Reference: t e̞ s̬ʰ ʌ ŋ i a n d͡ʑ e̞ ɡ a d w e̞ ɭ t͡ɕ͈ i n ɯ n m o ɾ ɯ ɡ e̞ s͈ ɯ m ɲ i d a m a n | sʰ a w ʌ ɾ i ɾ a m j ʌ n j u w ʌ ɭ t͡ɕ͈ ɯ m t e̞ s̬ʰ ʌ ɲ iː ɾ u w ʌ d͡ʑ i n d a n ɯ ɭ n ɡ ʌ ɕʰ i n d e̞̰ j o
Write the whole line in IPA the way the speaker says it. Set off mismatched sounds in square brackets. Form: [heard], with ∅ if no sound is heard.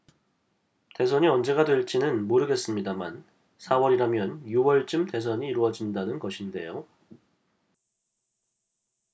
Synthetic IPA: t e̞ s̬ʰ ʌ [ɲ] i [ʌ] n d͡ʑ e̞ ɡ a d w e̞ ɭ t͡ɕ͈ i n ɯ n m o ɾ ɯ ɡ e̞ s͈ ɯ m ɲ i d a m a n | sʰ a w ʌ ɾ i ɾ a m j ʌ n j u w ʌ ɭ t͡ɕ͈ ɯ m t e̞ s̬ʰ ʌ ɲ iː ɾ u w ʌ d͡ʑ i n d a n ɯ [∅] n ɡ ʌ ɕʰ i n d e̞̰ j o